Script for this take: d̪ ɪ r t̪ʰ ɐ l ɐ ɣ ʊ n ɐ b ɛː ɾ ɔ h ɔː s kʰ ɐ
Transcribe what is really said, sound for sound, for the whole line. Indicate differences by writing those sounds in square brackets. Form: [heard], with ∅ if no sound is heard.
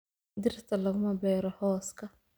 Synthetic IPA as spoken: d̪ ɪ r t̪ʰ ɐ l ɐ ɣ ʊ [m] ɐ b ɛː ɾ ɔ h ɔː s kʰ ɐ